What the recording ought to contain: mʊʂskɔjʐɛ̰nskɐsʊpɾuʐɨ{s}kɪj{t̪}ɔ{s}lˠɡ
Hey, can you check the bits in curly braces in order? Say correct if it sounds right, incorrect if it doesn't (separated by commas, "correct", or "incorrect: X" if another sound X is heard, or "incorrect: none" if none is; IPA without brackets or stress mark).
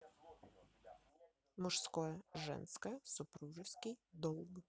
correct, incorrect: d̪, incorrect: none